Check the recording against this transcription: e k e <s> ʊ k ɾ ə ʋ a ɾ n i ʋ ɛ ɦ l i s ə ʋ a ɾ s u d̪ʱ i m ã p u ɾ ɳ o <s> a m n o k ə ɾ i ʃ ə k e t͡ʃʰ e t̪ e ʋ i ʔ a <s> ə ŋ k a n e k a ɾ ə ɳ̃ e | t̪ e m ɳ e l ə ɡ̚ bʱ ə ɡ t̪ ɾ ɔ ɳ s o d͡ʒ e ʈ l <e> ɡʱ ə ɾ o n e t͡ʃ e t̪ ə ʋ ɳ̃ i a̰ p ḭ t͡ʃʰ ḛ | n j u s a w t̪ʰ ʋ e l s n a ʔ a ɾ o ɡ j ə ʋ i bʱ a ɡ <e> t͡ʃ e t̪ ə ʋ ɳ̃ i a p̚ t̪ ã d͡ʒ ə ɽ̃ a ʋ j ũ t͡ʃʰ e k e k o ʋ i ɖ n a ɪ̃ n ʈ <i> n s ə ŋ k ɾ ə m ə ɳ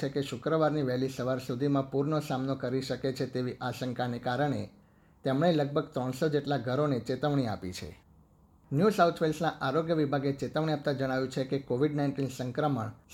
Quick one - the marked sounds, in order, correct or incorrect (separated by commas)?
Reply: incorrect, correct, incorrect, incorrect, correct, correct